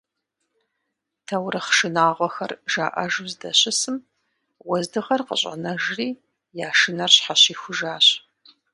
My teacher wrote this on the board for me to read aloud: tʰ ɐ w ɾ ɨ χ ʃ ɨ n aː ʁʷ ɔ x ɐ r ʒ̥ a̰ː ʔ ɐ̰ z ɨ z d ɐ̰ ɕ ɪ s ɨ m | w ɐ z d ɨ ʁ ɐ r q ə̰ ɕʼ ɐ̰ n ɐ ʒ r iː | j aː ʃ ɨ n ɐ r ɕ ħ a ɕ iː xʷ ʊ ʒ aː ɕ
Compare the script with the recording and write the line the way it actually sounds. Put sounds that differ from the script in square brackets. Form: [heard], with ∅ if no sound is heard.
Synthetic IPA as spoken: tʰ ɐ w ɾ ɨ χ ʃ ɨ n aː ʁʷ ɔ x ɐ r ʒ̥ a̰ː ʔ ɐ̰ [ʒ] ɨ z d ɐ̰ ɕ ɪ s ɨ m | w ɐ z d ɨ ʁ ɐ r q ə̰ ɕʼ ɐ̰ n ɐ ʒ r iː | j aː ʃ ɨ n ɐ r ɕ ħ a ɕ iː xʷ ʊ ʒ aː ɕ